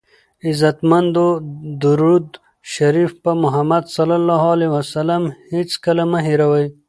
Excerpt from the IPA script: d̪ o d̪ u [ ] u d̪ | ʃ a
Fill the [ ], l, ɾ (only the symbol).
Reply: ɾ